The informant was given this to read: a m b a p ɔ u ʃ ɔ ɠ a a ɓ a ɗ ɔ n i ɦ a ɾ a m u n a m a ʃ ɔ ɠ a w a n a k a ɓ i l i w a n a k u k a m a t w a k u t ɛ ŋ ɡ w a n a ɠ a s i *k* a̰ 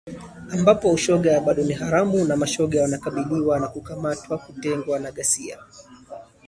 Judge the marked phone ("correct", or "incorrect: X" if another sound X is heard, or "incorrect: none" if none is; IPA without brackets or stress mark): incorrect: none